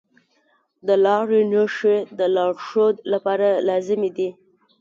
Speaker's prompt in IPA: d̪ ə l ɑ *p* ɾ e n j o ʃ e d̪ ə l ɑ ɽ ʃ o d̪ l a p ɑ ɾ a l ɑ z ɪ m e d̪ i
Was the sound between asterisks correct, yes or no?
no